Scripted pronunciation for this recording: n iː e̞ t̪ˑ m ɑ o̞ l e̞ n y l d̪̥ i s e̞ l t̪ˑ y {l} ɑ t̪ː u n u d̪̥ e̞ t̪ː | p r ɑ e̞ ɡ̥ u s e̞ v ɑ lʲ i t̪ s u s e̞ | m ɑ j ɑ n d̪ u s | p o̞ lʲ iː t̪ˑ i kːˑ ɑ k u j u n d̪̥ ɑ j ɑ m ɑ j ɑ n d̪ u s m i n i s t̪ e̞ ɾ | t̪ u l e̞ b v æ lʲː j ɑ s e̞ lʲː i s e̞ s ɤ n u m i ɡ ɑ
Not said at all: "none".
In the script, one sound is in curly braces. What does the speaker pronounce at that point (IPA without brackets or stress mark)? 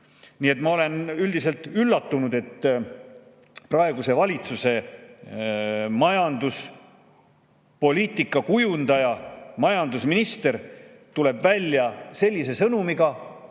lː